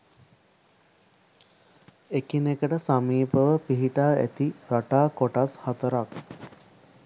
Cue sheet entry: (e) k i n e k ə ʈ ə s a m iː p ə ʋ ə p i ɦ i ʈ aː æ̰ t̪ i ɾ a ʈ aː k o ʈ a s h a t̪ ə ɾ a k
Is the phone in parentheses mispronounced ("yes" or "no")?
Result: no